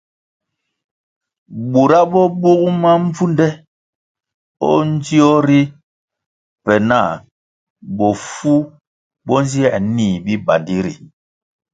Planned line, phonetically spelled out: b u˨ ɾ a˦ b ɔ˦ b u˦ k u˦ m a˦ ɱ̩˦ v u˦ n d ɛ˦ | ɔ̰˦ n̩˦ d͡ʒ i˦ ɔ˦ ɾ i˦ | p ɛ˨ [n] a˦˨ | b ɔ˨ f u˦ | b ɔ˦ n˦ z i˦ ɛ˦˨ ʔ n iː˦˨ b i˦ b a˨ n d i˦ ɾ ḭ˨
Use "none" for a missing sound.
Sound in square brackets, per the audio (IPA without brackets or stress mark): n